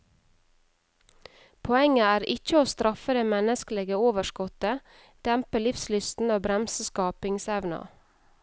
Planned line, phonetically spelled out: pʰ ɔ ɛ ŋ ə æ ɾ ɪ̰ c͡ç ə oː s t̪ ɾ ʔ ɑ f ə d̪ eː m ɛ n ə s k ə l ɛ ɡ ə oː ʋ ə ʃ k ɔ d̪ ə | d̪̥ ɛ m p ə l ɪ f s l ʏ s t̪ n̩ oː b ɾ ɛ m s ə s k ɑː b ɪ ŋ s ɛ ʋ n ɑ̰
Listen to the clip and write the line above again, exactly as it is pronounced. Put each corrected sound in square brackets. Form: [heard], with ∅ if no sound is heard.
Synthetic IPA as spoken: pʰ ɔ ɛ ŋ ə [æː] ɾ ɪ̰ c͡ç ə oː s t̪ ɾ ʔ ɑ f ə d̪ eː m ɛ n ə s k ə l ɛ ɡ ə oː ʋ ə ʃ k ɔ [t̪] ə | d̪̥ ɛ m p ə l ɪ f s l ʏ s t̪ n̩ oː b ɾ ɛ m s ə s k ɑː [p] ɪ ŋ s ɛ ʋ n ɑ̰

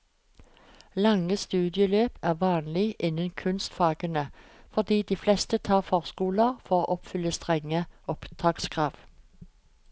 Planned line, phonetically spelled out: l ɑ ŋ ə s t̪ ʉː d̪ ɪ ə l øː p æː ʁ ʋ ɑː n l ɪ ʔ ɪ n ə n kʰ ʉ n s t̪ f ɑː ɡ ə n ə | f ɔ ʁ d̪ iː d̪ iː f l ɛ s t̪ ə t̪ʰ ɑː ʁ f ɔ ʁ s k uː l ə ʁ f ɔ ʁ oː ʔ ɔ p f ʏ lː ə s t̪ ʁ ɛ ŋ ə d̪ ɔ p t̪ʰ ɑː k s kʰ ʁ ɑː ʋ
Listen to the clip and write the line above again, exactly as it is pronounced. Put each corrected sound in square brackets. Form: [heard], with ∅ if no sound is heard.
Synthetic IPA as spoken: l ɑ ŋ ə s t̪ ʉː d̪ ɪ ə l øː p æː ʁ ʋ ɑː n l ɪ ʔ ɪ n ə n kʰ ʉ n s t̪ f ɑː ɡ ə n ə | f ɔ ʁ d̪ iː d̪ iː f l ɛ s t̪ ə t̪ʰ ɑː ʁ f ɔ ʁ s k uː l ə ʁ f ɔ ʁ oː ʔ ɔ p f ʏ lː ə s t̪ ʁ ɛ ŋ ə [∅] ɔ p t̪ʰ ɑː k s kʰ ʁ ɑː ʋ

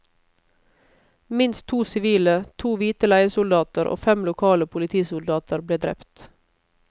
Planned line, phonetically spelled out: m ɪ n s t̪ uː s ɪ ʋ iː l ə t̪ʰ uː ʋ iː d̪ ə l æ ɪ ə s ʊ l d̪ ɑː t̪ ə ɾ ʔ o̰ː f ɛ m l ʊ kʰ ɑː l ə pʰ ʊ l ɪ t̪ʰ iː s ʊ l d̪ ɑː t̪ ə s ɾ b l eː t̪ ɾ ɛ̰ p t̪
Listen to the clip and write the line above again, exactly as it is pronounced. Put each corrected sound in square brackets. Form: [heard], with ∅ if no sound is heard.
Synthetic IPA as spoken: m ɪ n s [t̪ʰ] uː s ɪ ʋ iː l ə t̪ʰ uː ʋ iː [t̪] ə l æ ɪ ə s ʊ l d̪ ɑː t̪ ə ɾ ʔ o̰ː f ɛ m l ʊ kʰ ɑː l ə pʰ ʊ l ɪ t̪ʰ iː s ʊ l d̪ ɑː t̪ ə [∅] ɾ b l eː [d̪] ɾ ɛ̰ p t̪

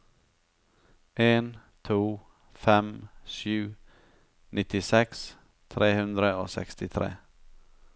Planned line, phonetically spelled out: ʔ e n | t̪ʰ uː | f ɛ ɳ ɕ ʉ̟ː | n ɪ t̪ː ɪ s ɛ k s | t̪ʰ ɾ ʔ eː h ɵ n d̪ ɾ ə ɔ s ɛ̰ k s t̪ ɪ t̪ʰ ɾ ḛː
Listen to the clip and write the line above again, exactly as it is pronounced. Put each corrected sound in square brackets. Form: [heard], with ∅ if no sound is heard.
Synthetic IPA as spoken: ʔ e n | t̪ʰ uː | f ɛ [m] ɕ ʉ̟ː | n ɪ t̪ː ɪ s ɛ k s | t̪ʰ ɾ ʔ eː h ɵ n d̪ ɾ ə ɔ s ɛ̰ k s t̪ ɪ t̪ʰ ɾ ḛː

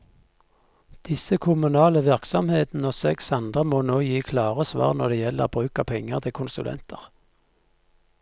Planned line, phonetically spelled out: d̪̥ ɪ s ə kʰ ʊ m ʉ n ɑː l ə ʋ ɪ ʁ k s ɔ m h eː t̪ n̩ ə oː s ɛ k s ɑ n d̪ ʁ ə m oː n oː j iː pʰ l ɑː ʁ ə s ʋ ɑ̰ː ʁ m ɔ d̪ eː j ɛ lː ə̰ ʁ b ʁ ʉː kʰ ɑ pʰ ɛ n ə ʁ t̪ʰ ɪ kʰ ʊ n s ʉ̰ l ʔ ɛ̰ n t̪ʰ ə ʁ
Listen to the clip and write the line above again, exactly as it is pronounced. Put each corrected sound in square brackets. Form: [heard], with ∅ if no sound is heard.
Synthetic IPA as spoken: d̪̥ ɪ s ə kʰ ʊ m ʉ n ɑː l ə ʋ ɪ ʁ k s ɔ m h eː t̪ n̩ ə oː s ɛ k s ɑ n d̪ ʁ ə m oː n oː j iː [kʰ] l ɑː ʁ ə s ʋ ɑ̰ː ʁ [n] ɔ d̪ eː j ɛ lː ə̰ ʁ b ʁ ʉː [k] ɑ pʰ ɛ [ŋ] ə ʁ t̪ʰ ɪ kʰ ʊ n s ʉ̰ l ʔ ɛ̰ n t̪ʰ ə ʁ

